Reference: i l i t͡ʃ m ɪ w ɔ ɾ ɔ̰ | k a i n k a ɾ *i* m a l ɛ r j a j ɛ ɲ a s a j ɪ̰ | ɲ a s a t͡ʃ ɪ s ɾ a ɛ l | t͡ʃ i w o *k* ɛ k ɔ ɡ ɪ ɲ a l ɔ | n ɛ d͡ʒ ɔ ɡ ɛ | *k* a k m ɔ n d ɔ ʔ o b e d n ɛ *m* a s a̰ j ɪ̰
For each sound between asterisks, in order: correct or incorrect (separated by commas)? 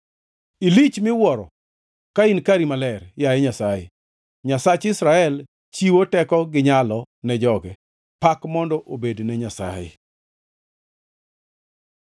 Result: correct, incorrect, incorrect, incorrect